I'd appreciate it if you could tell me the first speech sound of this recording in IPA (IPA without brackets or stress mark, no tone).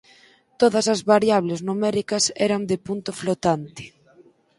t̪